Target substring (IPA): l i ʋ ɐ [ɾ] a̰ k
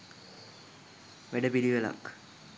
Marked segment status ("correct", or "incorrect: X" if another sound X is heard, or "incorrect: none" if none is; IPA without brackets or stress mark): incorrect: l